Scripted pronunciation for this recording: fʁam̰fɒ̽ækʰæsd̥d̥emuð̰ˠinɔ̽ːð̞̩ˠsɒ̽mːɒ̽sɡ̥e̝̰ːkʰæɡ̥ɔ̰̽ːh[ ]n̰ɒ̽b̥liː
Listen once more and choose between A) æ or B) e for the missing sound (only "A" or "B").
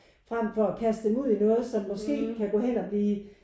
B